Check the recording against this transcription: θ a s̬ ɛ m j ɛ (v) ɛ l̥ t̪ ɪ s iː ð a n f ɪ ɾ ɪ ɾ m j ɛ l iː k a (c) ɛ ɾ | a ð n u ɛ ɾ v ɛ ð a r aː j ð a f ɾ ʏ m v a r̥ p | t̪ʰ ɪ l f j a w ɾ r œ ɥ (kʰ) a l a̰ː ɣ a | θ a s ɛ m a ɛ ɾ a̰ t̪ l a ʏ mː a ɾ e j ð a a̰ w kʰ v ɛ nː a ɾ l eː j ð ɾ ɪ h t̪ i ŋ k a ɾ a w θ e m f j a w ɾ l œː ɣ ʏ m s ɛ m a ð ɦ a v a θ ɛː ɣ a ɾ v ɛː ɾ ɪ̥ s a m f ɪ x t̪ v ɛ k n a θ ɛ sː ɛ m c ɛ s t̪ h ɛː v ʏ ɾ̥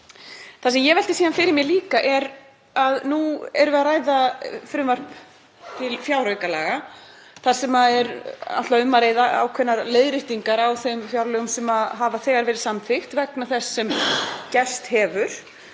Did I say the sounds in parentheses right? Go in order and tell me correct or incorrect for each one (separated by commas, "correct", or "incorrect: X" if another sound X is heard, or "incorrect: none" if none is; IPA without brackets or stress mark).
correct, incorrect: ʔ, incorrect: k